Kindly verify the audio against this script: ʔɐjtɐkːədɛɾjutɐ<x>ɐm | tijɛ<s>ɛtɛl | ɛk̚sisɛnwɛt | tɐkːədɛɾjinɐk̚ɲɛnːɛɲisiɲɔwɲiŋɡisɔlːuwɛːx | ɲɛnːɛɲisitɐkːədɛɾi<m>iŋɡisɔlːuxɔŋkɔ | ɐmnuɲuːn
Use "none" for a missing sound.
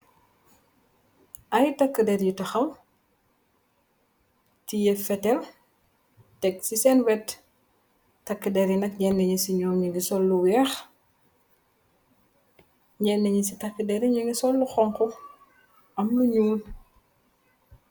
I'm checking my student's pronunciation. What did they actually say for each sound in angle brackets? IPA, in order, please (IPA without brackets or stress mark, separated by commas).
x, f, ɲ